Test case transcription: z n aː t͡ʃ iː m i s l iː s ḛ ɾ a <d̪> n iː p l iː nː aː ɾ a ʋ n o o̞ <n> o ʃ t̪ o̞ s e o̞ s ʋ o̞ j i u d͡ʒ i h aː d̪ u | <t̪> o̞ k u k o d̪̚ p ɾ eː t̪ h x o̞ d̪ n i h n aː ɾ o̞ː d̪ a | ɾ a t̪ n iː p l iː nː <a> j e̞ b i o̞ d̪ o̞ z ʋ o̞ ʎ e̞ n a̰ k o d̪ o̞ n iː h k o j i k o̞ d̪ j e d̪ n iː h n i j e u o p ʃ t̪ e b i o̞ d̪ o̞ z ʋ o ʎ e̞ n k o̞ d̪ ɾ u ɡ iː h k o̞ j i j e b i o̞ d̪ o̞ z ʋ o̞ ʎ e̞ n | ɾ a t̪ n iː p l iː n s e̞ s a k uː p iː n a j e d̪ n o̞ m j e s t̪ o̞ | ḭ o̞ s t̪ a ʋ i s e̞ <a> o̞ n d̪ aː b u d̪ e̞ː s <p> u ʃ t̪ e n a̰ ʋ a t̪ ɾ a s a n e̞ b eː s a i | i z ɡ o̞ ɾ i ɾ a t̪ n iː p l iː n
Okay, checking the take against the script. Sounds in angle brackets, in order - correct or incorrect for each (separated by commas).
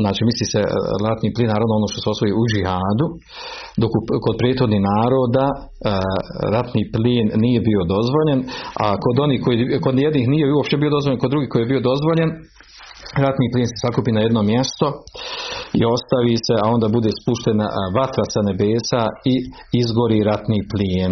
incorrect, correct, incorrect, incorrect, correct, correct